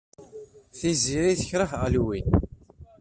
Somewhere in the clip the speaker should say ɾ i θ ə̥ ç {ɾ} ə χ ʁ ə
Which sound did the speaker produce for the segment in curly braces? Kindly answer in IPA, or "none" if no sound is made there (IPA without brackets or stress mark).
ɾ